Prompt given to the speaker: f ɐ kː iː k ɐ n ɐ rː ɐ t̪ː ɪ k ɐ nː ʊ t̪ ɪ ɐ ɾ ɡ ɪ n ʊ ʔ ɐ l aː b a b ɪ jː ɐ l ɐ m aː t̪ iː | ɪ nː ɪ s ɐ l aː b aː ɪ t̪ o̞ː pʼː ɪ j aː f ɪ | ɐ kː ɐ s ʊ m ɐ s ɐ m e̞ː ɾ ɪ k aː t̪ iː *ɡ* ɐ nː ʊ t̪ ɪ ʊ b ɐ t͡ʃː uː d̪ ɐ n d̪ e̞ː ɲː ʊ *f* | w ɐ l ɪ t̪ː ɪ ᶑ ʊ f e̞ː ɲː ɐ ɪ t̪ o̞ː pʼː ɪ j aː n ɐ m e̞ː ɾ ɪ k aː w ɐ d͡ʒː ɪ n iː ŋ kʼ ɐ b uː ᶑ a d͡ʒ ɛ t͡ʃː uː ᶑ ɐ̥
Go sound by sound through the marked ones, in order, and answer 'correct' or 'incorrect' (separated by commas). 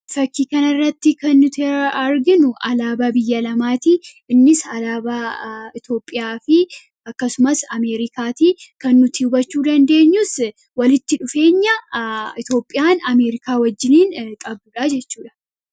incorrect, incorrect